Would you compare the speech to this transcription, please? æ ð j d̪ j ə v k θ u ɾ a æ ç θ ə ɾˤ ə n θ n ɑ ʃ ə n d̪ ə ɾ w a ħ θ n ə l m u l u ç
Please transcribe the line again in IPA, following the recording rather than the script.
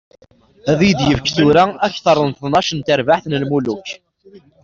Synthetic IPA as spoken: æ ð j d̪ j ə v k θ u ɾ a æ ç θ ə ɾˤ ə n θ n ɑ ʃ ə n t̪ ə ɾ v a ħ θ n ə l m u l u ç